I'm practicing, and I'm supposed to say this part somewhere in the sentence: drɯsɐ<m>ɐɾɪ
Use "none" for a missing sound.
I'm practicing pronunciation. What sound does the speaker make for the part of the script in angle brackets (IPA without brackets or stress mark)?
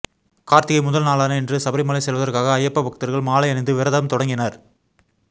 b